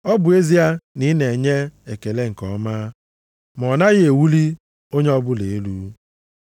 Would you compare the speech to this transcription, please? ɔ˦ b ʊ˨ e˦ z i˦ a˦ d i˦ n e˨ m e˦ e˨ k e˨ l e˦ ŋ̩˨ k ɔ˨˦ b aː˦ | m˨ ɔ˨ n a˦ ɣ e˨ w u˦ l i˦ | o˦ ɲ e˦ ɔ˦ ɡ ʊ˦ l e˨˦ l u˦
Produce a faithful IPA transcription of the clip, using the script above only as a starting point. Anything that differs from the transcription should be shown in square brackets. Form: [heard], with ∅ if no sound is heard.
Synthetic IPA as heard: ɔ˦ b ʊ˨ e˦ z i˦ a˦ [n] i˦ n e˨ [ɲ] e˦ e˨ k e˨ l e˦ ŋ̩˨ k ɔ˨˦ [m] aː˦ | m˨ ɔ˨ n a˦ ɣ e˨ w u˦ l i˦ | o˦ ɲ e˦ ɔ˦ [b] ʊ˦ l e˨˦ l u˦